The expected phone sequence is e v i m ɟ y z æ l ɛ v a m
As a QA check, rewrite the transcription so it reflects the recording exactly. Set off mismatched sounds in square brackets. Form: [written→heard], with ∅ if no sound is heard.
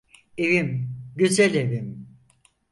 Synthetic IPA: e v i m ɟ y z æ l [ɛ→e] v [a→i] m